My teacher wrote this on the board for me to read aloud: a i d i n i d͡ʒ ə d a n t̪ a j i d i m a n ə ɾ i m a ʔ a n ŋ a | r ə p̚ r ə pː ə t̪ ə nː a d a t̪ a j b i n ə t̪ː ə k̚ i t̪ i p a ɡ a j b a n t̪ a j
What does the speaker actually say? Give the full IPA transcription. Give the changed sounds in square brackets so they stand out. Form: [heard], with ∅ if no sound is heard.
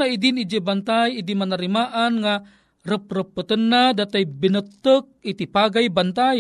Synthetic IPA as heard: a i d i n i d͡ʒ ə [b] a n t̪ a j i d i m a n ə ɾ i m a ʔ a n ŋ a | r ə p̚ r ə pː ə t̪ ə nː a d a t̪ a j b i n ə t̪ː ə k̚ i t̪ i p a ɡ a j b a n t̪ a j